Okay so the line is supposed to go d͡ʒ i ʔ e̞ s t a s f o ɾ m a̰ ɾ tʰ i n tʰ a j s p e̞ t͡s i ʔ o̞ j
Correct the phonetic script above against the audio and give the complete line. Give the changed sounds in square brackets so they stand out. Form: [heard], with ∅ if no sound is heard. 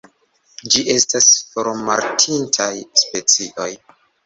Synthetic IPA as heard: d͡ʒ i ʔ e̞ s t a s f o ɾ m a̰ ɾ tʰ i n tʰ a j s p e̞ t͡s i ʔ o̞ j